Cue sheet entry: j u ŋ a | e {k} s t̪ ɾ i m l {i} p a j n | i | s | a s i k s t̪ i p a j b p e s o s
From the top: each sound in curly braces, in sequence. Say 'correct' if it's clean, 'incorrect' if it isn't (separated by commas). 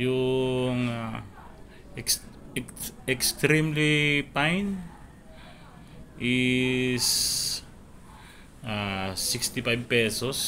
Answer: correct, correct